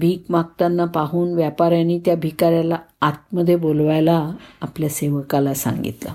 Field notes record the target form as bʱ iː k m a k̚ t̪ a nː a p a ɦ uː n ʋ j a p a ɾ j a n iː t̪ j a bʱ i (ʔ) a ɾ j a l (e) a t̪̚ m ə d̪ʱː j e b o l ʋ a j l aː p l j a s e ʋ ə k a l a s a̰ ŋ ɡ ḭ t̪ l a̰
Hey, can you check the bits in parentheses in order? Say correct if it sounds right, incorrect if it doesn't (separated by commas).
incorrect, incorrect